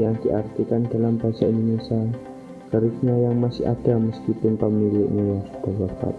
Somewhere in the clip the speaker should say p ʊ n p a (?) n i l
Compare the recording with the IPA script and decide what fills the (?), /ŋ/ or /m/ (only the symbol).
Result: m